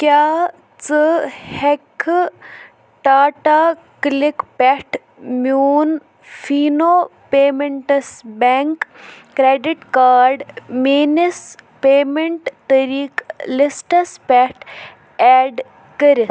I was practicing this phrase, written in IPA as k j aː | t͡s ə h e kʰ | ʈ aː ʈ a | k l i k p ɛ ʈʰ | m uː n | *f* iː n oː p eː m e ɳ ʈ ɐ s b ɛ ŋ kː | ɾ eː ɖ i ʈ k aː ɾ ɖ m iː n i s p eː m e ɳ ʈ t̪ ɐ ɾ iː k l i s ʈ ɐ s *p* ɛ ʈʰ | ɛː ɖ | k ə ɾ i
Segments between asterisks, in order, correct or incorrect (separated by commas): correct, correct